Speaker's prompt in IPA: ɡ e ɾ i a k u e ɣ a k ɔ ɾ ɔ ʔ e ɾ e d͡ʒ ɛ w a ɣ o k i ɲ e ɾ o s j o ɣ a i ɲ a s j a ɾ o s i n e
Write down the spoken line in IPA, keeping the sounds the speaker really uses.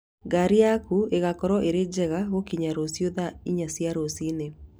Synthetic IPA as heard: ɡ a ɾ i a k u e ɣ a k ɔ ɾ ɔ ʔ e ɾ e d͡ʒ ɛ ɣ a ɣ o k i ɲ a ɾ o s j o ð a i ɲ a s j a ɾ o s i n e